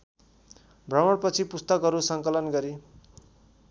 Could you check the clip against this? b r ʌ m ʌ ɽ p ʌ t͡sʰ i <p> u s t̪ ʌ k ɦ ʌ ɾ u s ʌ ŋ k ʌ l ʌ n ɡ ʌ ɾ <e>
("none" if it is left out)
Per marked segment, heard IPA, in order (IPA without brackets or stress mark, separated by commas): p, i